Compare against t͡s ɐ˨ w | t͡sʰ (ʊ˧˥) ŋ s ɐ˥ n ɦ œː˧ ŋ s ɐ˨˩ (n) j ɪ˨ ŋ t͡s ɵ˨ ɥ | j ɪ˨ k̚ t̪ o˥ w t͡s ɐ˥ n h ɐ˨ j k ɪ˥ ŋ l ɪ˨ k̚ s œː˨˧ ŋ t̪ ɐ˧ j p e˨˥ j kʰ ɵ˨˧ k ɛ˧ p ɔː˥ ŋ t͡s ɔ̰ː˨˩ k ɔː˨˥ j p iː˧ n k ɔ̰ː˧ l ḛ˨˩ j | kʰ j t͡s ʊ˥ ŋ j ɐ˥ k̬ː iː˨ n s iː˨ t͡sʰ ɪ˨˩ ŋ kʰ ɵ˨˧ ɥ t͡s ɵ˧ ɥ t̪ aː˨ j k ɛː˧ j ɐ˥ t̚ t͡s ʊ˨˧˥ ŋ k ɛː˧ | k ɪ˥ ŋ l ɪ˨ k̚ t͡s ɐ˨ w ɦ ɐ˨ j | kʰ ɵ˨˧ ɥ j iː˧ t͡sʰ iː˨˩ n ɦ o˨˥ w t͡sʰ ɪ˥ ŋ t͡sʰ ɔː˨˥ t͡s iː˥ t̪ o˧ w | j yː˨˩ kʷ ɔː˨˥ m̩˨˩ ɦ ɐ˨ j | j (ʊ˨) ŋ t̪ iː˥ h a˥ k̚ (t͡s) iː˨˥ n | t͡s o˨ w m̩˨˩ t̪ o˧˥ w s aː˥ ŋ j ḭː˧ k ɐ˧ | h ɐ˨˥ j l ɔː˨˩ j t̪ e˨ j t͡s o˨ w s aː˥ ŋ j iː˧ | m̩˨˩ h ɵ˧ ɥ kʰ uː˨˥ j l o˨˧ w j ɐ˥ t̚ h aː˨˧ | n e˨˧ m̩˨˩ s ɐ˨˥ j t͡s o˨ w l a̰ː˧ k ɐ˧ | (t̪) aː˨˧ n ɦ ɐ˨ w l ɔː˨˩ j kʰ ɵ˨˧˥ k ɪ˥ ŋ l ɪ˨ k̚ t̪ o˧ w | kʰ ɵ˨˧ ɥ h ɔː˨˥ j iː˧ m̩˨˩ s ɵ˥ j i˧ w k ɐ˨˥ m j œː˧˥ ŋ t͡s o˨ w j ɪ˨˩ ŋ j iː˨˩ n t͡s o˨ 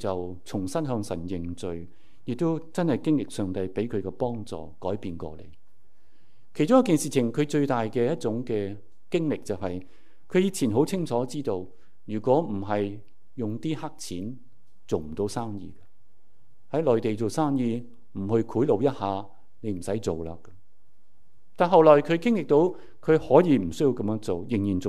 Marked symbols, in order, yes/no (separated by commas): no, yes, yes, no, yes